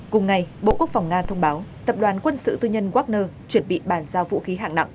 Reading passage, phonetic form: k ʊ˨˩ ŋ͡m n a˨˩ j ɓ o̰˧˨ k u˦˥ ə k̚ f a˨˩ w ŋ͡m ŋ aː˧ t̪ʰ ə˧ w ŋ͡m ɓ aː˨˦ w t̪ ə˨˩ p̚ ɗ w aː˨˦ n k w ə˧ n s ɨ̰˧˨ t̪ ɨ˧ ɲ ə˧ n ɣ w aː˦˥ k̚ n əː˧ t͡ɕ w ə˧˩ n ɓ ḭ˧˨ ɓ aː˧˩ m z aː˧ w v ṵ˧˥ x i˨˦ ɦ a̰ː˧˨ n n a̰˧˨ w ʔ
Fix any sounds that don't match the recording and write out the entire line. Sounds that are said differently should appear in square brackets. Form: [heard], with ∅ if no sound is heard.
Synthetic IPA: k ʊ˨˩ ŋ͡m [ŋ] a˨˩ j ɓ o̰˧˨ k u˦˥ ə k̚ f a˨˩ w ŋ͡m ŋ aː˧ t̪ʰ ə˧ w ŋ͡m ɓ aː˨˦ w t̪ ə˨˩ p̚ ɗ w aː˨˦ n k w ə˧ n s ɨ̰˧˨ t̪ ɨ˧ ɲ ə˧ n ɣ w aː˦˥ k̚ n əː˧ t͡ɕ w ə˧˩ n ɓ ḭ˧˨ ɓ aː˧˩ [n] z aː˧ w v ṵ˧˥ x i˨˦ ɦ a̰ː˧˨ [ŋ] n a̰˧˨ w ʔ